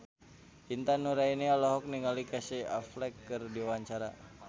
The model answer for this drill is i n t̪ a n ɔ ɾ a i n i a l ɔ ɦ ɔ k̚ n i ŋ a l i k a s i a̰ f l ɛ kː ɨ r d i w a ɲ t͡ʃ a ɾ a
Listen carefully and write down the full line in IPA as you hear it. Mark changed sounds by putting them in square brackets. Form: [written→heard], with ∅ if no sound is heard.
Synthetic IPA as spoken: i n t̪ a n [ɔ→u] ɾ a i n i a l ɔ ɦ ɔ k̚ n i ŋ a l i k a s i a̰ f l ɛ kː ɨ r d i w a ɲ t͡ʃ a ɾ a